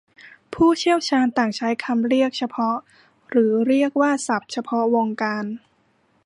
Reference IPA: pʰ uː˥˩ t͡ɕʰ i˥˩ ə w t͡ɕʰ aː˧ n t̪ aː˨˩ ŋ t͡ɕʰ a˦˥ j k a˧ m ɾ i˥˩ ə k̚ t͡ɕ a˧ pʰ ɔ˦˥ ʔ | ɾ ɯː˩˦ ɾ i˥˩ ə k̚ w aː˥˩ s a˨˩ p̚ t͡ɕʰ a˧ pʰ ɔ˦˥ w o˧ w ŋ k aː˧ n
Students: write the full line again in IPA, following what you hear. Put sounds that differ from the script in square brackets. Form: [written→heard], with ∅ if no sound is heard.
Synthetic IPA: pʰ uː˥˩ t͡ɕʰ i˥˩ ə w t͡ɕʰ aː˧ n t̪ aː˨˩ ŋ t͡ɕʰ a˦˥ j [k→kʰ] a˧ m ɾ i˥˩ ə k̚ [t͡ɕ→t͡ɕʰ] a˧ pʰ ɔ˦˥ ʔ | ɾ ɯː˩˦ ɾ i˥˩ ə k̚ w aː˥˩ s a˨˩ p̚ t͡ɕʰ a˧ pʰ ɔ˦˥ w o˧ [w→∅] ŋ k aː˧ n